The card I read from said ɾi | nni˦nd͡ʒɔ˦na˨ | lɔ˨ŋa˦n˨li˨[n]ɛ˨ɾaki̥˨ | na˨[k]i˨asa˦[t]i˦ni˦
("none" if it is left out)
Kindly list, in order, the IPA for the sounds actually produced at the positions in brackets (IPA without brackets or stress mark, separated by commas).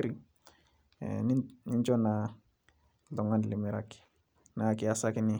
m, k, k